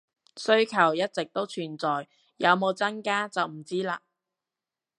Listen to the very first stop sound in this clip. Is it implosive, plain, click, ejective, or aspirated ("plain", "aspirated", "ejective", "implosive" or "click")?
aspirated